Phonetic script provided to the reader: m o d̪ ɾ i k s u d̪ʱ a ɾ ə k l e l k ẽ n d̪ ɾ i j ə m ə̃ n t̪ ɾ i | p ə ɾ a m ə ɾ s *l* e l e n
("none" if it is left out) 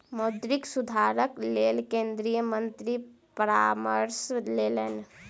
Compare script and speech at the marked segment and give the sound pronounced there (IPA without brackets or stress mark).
l